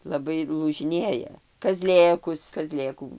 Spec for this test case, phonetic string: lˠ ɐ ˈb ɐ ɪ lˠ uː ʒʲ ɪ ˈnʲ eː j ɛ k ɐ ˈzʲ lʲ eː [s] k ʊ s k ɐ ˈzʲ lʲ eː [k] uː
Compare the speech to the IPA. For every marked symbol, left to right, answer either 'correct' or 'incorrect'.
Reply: incorrect, correct

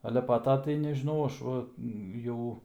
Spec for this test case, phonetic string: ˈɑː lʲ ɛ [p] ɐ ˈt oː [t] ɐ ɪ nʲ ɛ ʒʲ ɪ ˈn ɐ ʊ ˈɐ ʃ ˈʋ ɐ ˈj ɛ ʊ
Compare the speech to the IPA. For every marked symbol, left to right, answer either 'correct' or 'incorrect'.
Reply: correct, correct

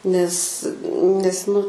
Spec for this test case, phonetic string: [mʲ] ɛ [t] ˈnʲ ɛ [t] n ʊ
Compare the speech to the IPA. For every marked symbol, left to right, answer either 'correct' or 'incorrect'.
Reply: incorrect, incorrect, incorrect

